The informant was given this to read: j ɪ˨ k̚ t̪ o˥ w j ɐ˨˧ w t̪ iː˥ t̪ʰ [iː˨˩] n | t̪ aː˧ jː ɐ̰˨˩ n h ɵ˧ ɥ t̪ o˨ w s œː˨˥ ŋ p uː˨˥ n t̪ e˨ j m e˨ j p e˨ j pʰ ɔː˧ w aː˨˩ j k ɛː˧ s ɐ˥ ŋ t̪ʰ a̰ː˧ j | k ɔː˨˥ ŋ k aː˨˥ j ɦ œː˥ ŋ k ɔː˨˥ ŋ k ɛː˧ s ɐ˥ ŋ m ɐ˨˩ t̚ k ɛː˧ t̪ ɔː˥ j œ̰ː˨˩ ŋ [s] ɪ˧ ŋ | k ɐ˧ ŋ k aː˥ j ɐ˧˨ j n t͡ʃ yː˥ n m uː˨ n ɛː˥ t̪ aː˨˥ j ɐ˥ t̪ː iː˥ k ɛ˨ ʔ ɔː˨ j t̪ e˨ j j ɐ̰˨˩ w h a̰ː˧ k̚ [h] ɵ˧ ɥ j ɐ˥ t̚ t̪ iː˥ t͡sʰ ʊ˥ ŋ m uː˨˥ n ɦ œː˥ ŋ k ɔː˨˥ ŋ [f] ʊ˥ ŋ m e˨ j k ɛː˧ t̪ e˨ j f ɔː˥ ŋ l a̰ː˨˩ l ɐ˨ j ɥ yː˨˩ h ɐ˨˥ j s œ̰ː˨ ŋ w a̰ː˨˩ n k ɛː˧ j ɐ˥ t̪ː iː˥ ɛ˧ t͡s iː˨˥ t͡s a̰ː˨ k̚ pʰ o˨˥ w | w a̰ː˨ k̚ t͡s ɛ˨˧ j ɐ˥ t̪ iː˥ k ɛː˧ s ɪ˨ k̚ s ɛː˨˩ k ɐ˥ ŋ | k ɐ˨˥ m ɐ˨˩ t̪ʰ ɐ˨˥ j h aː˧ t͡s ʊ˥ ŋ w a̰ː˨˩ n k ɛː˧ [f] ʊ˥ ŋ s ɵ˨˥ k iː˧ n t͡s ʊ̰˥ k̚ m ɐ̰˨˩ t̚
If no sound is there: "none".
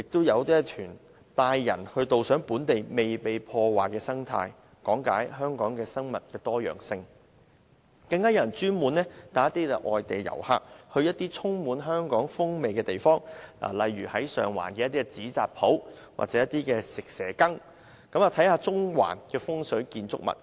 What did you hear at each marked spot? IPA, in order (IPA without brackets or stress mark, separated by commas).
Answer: yː˨˩, s, h, f, f